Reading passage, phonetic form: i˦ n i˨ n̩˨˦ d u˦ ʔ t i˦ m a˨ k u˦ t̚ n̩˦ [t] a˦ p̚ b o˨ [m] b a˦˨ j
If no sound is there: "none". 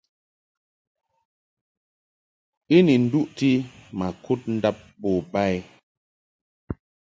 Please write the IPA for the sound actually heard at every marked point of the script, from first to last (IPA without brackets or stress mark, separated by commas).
d, none